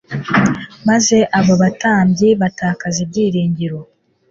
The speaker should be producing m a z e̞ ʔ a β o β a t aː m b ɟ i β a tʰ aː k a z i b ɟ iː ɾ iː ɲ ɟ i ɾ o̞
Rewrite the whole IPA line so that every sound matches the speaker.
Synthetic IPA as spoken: m a z e̞ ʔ a β o β a t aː m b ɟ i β a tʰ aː k a z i b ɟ iː ɾ iː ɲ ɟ i ɾ o̞